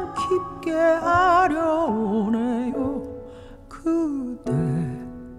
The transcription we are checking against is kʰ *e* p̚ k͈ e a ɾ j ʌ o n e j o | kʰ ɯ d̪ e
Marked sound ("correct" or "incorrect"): incorrect